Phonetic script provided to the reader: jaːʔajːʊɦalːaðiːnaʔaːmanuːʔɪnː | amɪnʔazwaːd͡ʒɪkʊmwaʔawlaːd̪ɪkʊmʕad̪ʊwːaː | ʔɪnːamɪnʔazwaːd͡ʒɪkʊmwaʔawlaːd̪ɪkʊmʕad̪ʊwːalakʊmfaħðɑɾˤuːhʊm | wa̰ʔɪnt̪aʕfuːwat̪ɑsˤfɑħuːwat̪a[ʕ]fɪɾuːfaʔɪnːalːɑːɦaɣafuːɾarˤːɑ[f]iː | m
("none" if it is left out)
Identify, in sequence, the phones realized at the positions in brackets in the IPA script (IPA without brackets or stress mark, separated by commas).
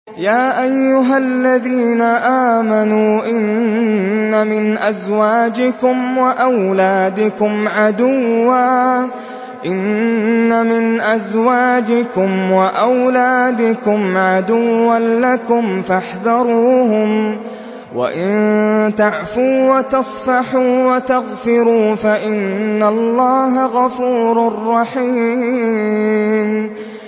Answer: ɣ, ħ